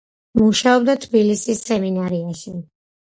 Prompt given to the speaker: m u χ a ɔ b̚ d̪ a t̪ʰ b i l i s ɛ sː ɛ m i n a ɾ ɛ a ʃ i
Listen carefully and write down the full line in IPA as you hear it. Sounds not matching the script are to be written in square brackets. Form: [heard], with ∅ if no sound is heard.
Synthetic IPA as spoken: m u [ʃ] a ɔ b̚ d̪ a t̪ʰ b i l i s [i] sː ɛ m i n a ɾ [i] a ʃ i